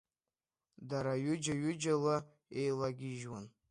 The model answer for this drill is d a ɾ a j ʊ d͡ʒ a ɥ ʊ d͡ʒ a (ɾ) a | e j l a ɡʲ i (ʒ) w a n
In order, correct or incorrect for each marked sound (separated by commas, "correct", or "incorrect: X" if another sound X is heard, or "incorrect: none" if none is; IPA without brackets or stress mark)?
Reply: incorrect: l, correct